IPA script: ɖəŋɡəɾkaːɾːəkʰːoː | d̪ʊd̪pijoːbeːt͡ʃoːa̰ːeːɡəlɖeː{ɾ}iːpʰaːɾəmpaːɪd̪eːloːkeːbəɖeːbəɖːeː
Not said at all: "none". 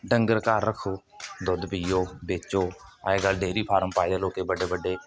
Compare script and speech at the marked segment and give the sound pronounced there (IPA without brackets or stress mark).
ɾ